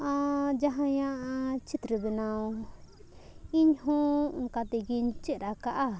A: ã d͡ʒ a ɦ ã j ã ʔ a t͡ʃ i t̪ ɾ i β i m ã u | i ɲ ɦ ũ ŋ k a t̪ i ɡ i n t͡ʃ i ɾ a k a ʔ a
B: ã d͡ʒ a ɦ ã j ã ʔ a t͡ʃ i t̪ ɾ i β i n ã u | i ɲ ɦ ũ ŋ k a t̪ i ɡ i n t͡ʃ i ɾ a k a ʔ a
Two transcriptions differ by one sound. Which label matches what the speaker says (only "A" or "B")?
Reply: B